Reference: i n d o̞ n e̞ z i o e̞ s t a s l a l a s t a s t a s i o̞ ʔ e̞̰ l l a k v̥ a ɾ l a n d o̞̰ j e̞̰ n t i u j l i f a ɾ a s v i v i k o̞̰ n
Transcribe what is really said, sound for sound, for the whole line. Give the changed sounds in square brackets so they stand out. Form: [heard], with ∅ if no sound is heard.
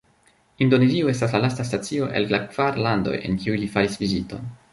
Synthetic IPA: i n d o̞ n e̞ z i o e̞ s t a s l a l a s t a s t a [t͡s] i o̞ ʔ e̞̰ l l a k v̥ a ɾ l a n d o̞̰ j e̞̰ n [k] i u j l i f a ɾ [i] s v i [z] i [t] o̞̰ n